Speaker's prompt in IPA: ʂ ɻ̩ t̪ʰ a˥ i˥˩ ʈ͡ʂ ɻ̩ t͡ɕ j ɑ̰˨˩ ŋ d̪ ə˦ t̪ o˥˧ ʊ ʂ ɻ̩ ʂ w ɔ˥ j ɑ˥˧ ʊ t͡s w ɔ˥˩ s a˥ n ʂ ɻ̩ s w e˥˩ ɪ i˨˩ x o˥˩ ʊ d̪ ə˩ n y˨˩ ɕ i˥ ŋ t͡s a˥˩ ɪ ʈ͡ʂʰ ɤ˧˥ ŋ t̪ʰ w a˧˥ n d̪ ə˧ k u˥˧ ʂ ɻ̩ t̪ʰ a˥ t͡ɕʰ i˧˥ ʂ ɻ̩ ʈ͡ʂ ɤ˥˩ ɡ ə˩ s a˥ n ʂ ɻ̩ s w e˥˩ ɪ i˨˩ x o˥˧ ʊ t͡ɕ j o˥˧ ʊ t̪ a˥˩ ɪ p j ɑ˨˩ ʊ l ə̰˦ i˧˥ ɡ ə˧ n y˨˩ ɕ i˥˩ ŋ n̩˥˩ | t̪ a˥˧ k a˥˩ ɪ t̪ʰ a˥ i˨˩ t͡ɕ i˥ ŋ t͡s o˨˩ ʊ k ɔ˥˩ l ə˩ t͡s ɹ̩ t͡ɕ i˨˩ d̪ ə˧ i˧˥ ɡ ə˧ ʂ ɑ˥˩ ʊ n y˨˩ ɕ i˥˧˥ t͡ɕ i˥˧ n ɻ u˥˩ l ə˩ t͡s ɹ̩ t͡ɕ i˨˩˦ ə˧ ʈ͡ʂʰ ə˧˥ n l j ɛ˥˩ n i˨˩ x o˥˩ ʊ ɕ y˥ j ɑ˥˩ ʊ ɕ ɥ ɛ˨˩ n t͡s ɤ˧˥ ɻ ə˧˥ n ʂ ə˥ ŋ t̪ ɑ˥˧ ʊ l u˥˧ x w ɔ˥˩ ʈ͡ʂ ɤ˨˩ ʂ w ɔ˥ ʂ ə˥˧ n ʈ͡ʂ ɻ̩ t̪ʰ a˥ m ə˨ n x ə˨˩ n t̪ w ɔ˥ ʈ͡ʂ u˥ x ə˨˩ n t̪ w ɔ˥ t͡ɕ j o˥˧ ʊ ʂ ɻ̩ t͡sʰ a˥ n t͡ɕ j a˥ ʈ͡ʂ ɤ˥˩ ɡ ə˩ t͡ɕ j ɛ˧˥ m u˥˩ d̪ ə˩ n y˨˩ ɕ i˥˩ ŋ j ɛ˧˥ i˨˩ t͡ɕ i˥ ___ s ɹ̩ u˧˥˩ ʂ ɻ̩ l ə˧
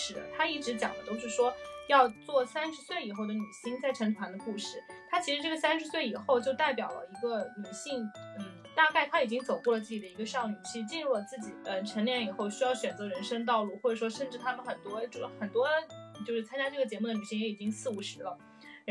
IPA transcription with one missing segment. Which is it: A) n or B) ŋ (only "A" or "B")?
B